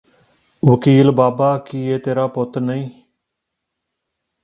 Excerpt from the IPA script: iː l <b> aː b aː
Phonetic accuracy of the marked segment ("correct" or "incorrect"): correct